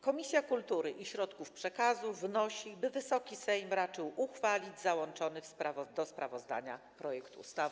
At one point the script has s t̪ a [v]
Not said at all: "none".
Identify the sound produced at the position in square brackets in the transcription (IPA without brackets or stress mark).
v